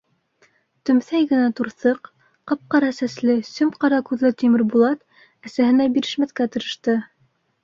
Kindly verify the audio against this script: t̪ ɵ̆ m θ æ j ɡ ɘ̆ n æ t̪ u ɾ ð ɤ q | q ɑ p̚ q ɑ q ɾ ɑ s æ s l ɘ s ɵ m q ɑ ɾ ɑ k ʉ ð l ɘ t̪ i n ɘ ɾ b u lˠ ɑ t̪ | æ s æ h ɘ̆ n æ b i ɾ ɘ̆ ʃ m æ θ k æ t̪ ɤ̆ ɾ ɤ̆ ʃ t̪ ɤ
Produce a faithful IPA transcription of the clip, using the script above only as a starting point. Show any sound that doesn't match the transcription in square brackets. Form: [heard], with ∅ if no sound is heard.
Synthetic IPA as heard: t̪ ɵ̆ m θ æ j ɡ ɘ̆ n æ t̪ u ɾ [θ] ɤ q | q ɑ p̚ q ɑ [∅] ɾ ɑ s æ s l ɘ s ɵ m q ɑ ɾ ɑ k ʉ ð l ɘ t̪ i [m] ɘ ɾ b u lˠ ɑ t̪ | æ s æ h ɘ̆ n æ b i ɾ ɘ̆ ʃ m æ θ k æ t̪ ɤ̆ ɾ ɤ̆ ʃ t̪ ɤ